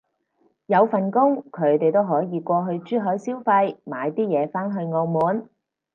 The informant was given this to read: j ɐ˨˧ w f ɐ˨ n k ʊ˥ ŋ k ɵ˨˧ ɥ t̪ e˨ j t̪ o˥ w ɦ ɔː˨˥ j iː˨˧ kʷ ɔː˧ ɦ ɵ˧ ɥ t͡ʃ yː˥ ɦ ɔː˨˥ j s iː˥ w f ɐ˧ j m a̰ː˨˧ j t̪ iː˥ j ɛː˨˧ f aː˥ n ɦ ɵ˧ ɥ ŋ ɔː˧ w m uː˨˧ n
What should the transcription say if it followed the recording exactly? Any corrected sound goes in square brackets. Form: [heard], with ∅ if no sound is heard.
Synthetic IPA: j ɐ˨˧ w f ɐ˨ n k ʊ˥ ŋ [kʰ] ɵ˨˧ ɥ t̪ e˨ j t̪ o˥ w ɦ ɔː˨˥ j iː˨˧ kʷ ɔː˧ ɦ ɵ˧ ɥ t͡ʃ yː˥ ɦ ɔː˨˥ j s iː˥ w f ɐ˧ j m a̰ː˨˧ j t̪ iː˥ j ɛː˨˧ f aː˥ n ɦ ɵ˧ ɥ ŋ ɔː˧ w m uː˨˧ n

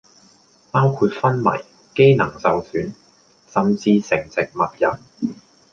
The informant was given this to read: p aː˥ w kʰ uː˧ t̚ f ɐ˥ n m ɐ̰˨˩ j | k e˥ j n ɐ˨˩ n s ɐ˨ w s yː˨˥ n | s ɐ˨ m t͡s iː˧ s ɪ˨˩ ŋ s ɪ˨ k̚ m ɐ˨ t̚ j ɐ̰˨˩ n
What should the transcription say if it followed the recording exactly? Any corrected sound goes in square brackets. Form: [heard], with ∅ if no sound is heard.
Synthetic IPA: p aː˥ w kʰ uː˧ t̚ f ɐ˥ n m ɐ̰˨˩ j | k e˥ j n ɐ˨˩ [ŋ] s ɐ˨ w s yː˨˥ n | s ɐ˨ m t͡s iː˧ s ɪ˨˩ ŋ [t͡s] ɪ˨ k̚ m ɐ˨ t̚ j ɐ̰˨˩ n

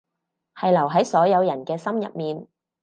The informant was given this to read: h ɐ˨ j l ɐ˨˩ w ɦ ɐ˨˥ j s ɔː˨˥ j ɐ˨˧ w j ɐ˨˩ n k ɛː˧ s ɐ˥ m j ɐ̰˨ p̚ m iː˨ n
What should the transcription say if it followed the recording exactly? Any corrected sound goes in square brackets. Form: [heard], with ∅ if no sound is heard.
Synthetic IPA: h ɐ˨ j l ɐ˨˩ w ɦ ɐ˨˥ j s ɔː˨˥ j ɐ˨˧ w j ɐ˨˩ n k ɛː˧ s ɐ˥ m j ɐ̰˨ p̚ m iː˨ n

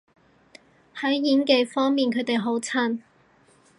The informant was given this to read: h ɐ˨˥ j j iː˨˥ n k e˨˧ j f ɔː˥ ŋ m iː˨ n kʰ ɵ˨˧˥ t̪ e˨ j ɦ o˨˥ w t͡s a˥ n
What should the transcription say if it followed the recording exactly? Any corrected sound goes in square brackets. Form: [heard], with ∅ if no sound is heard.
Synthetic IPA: h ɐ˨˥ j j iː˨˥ n k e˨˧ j f ɔː˥ ŋ m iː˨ n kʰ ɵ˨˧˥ t̪ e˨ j ɦ o˨˥ w [t͡sʰ] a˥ n

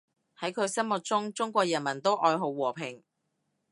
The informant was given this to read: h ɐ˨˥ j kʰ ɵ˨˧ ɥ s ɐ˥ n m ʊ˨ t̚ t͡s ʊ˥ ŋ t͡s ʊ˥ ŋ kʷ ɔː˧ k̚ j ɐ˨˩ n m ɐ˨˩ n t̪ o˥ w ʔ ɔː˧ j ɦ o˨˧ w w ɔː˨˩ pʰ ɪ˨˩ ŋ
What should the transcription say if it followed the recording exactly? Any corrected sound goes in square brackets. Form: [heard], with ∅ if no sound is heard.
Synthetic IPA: h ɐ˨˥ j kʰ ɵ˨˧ ɥ s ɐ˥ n m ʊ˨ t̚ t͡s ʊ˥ ŋ t͡s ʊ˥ ŋ kʷ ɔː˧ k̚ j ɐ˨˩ n m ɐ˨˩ n t̪ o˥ w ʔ ɔː˧ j ɦ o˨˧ w w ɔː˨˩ pʰ ɪ˨˩ ŋ

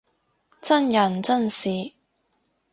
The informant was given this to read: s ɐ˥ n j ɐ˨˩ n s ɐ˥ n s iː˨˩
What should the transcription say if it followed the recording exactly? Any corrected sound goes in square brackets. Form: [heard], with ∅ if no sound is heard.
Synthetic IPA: [t͡s] ɐ˥ n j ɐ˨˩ n [t͡s] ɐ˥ n s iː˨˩

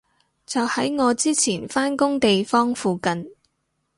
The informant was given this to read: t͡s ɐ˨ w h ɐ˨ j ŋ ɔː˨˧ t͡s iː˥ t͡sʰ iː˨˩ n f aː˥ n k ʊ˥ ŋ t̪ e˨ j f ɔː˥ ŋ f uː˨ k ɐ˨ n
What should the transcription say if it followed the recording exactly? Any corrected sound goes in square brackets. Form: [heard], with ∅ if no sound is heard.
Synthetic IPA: t͡s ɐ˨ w h [ɐ˨˥] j ŋ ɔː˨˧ t͡s iː˥ t͡sʰ iː˨˩ n f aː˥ n k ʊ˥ ŋ t̪ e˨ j f ɔː˥ ŋ f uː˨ k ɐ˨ n

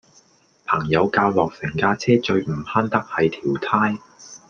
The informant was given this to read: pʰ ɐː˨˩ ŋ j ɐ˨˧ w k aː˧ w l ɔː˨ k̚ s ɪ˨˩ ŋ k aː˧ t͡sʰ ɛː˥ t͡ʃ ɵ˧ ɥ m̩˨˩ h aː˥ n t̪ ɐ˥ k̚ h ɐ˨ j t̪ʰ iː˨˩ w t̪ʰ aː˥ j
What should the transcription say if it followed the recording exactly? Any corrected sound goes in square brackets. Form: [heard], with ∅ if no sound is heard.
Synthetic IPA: pʰ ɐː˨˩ ŋ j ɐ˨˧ w k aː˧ w l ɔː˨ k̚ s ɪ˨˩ ŋ k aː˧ t͡sʰ ɛː˥ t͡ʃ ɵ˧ ɥ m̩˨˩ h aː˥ n t̪ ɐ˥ k̚ h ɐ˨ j t̪ʰ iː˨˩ w t̪ʰ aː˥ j

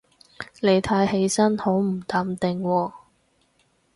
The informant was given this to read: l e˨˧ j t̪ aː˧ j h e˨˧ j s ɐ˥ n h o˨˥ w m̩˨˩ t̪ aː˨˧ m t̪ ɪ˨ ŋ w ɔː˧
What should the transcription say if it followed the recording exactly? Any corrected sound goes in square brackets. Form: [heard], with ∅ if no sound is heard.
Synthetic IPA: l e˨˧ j [t̪ʰ] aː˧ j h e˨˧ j s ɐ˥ n h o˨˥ w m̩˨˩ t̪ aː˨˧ m t̪ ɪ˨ ŋ w ɔː˧

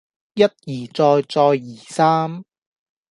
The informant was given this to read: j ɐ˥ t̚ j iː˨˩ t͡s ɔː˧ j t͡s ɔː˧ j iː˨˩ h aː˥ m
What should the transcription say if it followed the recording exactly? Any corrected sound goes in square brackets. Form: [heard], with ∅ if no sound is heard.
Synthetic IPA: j ɐ˥ t̚ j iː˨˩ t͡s ɔː˧ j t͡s ɔː˧ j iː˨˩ [s] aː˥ m

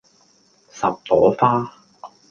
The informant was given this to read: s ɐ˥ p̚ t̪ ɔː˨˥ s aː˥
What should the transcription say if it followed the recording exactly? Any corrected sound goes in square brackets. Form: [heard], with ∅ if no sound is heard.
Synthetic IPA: s [ɐ˨] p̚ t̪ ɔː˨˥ [f] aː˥

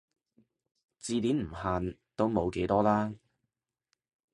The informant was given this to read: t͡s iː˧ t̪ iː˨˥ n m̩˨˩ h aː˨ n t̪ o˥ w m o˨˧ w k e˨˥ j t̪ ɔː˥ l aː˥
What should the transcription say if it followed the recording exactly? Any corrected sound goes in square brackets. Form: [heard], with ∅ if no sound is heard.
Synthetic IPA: t͡s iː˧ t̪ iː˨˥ n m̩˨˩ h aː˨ n t̪ o˥ w m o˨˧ w k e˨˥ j t̪ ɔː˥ l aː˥

